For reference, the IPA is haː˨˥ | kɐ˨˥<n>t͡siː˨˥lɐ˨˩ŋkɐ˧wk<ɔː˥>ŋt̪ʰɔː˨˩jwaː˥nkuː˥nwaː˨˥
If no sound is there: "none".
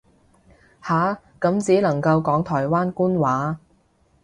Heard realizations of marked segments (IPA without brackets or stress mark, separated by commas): m, ɔː˨˥